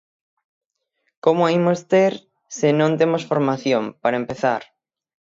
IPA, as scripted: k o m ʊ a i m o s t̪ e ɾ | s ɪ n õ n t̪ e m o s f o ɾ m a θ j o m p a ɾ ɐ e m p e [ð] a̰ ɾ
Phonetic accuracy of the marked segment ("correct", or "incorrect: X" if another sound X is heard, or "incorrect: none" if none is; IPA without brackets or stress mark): incorrect: θ